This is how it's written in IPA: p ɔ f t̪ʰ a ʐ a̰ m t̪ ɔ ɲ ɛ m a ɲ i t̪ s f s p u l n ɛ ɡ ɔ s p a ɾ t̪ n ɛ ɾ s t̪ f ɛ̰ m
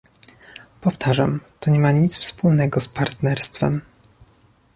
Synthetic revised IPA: p ɔ f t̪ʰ a ʐ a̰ m t̪ ɔ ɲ ɛ m a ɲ i t̪ s f s p u l n ɛ ɡ ɔ s p a ɾ t̪ n ɛ ɾ s t̪ f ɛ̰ m